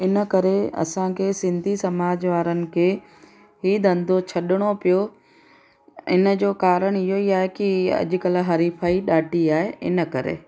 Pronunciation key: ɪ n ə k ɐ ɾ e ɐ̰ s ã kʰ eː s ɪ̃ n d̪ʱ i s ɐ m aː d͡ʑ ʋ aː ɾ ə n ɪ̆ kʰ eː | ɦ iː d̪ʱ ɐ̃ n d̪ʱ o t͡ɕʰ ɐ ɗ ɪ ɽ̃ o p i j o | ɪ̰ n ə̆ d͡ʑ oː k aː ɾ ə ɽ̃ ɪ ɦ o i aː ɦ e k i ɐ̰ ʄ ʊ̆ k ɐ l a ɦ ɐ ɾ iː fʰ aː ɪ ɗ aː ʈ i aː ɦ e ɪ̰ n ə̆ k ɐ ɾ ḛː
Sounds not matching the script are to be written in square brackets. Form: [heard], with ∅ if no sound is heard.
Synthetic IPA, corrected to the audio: ɪ n ə k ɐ ɾ e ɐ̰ s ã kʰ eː s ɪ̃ n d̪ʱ i s ɐ m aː d͡ʑ ʋ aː ɾ ə n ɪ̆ kʰ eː | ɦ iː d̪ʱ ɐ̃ n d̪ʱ o t͡ɕʰ ɐ ɗ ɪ ɽ̃ o p i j o | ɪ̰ n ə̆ d͡ʑ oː k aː ɾ ə ɽ̃ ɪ ɦ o i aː ɦ e k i ɐ̰ ʄ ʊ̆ k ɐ l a ɦ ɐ ɾ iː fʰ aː [i] ɗ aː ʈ i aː ɦ e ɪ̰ n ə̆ k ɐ ɾ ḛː